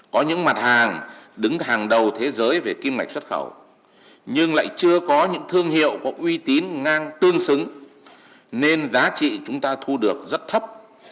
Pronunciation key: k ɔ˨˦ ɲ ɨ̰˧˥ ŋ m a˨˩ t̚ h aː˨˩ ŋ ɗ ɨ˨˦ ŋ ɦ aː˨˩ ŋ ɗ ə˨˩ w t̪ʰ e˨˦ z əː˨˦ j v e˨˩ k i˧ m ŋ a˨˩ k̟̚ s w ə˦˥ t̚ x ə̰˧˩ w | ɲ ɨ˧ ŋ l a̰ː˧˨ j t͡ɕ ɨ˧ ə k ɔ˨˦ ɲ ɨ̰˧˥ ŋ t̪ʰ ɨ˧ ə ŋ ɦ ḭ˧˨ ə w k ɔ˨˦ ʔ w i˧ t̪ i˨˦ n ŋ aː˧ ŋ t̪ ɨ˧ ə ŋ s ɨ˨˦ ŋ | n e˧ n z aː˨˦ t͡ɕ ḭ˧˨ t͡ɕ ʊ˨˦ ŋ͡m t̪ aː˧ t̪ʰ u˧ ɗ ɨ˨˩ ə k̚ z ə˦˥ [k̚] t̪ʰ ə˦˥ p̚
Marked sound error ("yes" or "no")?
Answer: yes